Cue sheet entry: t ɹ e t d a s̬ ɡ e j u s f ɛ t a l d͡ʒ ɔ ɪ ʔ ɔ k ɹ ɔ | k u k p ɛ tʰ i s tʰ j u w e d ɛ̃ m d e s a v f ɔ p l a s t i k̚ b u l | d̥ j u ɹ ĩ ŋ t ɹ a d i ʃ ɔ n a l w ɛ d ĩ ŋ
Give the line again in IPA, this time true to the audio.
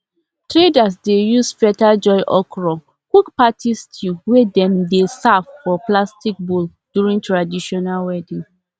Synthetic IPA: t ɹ e d a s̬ d e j u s f ɛ t a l d͡ʒ ɔ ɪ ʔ ɔ k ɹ ɔ | k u k p a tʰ i s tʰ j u w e d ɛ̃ m d e s a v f ɔ p l a s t i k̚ b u l | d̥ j u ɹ ĩ ŋ t ɹ a d i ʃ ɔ n a l w ɛ d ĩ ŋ